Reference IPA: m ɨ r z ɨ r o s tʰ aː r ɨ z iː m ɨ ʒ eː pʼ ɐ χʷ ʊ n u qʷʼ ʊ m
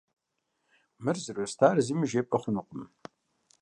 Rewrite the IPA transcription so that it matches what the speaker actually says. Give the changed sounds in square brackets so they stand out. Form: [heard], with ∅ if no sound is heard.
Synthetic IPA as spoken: m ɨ r z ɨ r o s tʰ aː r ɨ z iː m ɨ ʒ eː pʼ ɐ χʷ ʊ n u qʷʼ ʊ m